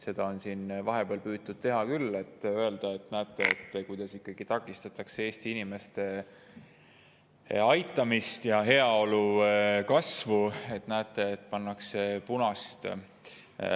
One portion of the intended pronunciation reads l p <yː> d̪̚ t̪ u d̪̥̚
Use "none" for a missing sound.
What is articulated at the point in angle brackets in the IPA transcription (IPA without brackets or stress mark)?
yː